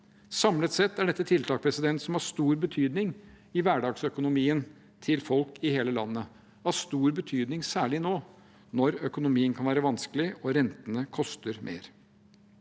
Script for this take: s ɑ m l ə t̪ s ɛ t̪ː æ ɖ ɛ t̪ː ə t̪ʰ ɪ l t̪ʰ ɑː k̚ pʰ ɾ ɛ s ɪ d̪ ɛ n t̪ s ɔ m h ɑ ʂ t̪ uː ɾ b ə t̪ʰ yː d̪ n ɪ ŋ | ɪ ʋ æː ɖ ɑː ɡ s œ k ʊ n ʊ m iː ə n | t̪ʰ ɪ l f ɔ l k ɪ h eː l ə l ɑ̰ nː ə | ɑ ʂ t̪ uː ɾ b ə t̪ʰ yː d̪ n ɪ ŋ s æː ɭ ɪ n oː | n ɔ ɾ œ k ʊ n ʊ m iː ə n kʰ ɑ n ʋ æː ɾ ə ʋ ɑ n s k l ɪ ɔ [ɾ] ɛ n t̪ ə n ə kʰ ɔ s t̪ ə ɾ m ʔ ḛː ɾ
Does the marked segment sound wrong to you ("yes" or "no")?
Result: no